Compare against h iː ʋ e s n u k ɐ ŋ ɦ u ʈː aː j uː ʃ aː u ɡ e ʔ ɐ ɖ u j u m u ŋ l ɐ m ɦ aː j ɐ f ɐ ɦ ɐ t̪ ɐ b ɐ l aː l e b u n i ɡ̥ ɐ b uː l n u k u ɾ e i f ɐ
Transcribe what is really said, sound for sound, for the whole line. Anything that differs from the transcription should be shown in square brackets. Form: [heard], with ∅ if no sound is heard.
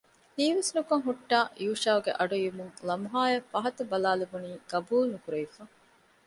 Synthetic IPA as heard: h iː ʋ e s n u k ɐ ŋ ɦ u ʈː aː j uː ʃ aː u ɡ e ʔ ɐ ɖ u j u m u ŋ l ɐ m ɦ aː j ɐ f ɐ ɦ ɐ t̪ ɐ b ɐ l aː l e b u n [iː] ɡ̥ ɐ b uː l n u k u ɾ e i f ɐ